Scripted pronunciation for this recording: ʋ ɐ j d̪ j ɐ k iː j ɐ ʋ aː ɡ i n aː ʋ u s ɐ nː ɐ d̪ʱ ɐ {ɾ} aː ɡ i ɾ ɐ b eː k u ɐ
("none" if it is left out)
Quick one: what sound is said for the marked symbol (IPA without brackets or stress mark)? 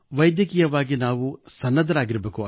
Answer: ɾ